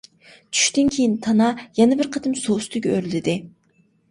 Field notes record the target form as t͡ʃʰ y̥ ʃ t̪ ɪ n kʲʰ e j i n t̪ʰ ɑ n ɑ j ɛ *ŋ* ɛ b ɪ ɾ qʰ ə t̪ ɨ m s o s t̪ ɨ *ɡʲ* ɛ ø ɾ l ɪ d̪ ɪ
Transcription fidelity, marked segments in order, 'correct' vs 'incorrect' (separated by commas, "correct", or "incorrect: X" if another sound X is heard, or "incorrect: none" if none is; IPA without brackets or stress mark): incorrect: n, correct